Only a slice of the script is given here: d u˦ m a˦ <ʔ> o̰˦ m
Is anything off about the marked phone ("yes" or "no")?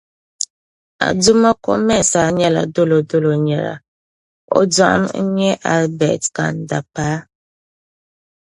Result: yes